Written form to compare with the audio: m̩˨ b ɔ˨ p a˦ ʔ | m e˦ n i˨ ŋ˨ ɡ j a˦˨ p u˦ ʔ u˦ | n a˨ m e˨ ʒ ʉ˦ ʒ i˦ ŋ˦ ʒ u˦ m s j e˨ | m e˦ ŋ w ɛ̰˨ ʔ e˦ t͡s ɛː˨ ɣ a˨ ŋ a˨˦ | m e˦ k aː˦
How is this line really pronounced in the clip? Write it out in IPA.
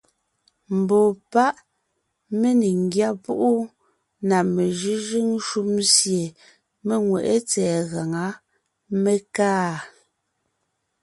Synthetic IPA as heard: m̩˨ b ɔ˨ p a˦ ʔ | m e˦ n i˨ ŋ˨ ɡ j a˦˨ p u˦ ʔ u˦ | n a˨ m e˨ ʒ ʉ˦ ʒ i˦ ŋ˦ ʃ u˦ m s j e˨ | m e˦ ŋ w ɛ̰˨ ʔ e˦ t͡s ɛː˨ ɣ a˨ ŋ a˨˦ | m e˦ k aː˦